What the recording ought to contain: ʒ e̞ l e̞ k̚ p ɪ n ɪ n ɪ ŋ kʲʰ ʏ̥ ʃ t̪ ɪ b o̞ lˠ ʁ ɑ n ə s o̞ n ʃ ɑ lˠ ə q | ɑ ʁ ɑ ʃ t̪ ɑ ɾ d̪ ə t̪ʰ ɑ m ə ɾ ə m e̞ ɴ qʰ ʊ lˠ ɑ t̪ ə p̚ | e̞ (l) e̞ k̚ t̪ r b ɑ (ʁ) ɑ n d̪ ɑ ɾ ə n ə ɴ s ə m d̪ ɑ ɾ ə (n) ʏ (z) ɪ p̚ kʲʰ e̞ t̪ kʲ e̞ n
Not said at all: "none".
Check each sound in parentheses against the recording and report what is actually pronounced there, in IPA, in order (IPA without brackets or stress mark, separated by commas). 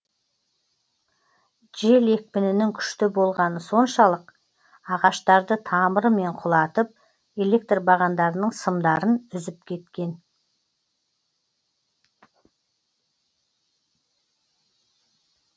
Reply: l, ʁ, n, z